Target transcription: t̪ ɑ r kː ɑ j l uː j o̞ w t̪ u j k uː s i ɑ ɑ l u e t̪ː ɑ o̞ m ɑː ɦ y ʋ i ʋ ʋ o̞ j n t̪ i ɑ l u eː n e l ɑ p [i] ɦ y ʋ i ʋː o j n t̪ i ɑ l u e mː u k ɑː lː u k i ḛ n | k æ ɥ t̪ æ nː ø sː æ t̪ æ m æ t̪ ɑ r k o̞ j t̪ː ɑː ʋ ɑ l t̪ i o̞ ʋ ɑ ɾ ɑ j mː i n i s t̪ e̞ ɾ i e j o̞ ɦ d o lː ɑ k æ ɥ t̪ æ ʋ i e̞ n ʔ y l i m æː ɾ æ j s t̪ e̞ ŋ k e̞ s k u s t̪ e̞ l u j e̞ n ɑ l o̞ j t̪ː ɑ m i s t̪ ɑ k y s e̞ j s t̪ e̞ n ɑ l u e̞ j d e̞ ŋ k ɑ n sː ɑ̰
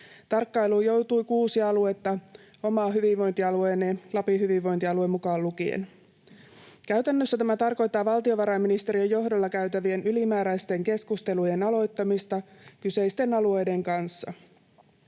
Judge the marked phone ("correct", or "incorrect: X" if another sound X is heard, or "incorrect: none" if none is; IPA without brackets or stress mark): correct